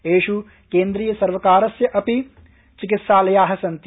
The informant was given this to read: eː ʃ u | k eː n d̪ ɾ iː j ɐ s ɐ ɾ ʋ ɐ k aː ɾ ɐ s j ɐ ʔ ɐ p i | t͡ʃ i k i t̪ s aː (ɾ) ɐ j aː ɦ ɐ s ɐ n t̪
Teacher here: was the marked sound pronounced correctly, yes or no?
no